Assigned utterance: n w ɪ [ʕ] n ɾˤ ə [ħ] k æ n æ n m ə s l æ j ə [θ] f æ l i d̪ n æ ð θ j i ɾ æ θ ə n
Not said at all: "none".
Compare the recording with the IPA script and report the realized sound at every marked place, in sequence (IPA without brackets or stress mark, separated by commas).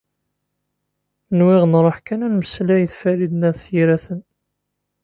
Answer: ʁ, ħ, θ